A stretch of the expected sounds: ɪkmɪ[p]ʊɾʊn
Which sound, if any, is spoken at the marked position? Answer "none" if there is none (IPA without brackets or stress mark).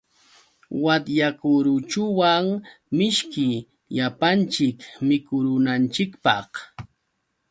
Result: k